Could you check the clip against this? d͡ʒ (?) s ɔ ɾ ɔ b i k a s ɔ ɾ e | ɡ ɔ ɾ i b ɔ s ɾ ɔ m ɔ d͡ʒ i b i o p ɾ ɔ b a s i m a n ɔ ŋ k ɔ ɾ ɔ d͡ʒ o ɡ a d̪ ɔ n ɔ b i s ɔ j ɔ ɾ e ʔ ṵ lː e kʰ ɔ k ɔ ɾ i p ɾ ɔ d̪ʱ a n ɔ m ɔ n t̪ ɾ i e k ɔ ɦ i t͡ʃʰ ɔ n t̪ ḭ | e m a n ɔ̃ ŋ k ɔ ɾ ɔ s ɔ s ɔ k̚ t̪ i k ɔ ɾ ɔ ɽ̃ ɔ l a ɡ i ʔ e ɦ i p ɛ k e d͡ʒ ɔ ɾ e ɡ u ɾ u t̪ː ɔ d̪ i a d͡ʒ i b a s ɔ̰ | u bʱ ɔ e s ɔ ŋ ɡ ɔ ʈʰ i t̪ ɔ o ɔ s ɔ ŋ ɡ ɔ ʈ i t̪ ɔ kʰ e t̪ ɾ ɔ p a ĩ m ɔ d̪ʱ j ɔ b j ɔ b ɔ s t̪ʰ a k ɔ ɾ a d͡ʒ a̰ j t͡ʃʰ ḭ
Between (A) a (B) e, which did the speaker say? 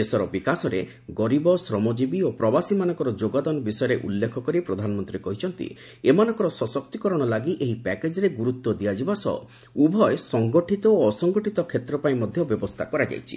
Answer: B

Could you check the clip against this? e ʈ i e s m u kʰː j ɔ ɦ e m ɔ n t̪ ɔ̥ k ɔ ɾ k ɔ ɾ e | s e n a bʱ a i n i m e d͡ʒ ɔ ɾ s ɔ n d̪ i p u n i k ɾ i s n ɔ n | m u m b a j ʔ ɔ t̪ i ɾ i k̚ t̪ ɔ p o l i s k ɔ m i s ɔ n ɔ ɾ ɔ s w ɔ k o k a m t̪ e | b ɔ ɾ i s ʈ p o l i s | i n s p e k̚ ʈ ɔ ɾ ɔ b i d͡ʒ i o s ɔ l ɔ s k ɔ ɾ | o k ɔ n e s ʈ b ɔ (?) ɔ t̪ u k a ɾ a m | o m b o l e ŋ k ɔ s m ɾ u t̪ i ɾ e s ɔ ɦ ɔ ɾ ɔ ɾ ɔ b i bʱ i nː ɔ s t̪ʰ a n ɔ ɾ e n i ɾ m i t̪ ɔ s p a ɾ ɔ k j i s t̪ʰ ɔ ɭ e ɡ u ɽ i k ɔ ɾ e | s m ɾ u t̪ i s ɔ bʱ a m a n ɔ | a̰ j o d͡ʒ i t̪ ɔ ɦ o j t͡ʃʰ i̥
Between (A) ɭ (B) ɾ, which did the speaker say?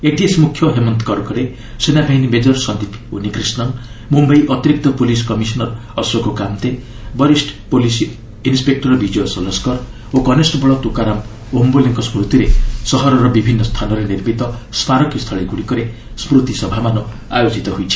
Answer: A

